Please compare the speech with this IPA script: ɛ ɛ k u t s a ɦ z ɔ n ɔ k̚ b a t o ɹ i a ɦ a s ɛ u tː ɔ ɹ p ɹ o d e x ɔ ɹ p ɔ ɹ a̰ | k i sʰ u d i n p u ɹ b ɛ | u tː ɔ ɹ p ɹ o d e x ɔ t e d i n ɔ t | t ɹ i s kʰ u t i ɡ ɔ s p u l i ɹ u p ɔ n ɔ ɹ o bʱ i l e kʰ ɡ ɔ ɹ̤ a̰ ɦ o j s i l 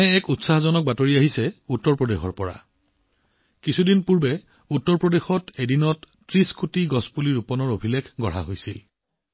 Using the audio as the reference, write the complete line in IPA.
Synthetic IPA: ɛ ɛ k u t s a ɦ z ɔ n ɔ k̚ b a t o ɹ i a ɦ i s ɛ u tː ɔ ɹ p ɹ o d e x ɔ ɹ p ɔ ɹ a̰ | k i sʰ u d i n p u ɹ b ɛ | u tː ɔ ɹ p ɹ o d e x ɔ t e d i n ɔ t | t ɹ i s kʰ u t i ɡ ɔ s p u l i ɹ u p ɔ n ɔ ɹ o bʱ i l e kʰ ɡ ɔ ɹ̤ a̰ ɦ o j s i l